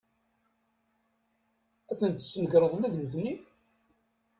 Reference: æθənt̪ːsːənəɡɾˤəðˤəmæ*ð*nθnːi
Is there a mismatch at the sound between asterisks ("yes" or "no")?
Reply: no